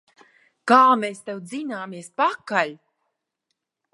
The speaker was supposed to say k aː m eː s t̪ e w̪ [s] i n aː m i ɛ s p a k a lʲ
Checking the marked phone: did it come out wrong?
yes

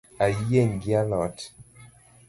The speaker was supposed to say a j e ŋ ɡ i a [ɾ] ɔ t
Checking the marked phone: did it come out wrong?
yes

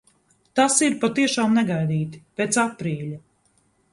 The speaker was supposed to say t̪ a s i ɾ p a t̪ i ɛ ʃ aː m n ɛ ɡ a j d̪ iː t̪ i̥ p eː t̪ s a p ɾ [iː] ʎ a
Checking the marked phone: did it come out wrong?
no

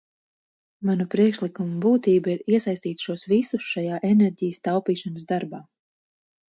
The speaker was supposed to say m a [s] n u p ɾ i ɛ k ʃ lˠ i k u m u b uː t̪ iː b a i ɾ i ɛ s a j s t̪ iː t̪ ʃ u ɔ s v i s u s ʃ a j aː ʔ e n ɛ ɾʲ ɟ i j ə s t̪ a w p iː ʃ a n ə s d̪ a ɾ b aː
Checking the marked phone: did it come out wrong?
yes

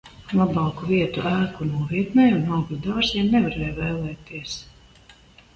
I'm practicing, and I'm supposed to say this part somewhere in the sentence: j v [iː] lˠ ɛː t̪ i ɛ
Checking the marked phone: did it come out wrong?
yes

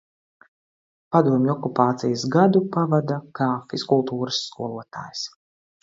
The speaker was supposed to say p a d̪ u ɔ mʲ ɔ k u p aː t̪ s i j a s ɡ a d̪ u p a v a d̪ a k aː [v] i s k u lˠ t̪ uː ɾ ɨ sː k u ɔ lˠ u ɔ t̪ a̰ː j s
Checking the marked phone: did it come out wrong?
yes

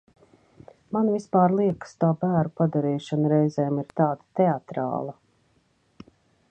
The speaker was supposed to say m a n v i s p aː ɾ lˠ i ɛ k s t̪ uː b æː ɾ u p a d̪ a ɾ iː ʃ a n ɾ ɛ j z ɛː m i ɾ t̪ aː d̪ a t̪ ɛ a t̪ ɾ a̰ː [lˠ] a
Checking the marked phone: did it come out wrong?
no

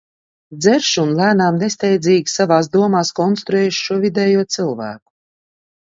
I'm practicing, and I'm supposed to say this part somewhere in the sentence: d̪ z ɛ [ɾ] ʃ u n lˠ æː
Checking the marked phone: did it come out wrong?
no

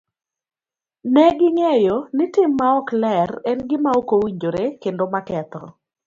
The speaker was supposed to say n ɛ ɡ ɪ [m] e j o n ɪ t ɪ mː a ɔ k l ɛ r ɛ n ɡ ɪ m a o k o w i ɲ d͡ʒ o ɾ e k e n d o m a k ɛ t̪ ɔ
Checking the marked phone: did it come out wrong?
yes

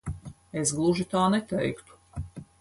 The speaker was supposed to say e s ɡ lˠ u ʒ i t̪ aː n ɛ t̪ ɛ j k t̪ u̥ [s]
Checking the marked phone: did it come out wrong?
yes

